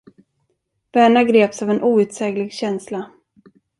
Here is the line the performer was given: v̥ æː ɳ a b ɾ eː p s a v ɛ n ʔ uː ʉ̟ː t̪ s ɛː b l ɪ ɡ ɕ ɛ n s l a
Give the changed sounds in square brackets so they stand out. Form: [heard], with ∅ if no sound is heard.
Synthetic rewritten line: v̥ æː ɳ a [ɡ] ɾ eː p s a v ɛ n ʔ uː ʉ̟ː t̪ s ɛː [ɡ] l ɪ ɡ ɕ ɛ n s l a